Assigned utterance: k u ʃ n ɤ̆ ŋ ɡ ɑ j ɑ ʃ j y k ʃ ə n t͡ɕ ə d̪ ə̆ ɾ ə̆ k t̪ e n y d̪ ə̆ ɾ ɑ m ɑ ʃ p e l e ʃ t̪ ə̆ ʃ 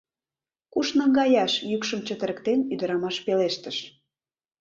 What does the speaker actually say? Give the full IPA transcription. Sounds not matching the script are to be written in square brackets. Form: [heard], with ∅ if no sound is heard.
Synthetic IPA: k u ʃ n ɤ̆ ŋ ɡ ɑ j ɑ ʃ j y k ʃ ə [m] t͡ɕ ə [t̪] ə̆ ɾ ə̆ k t̪ e n y d̪ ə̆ ɾ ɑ m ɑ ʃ p e l e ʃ t̪ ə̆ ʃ